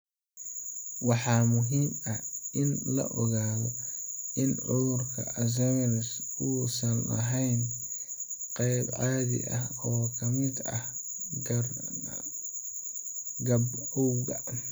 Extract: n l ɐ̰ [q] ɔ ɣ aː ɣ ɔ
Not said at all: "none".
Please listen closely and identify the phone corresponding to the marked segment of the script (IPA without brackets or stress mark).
ʔ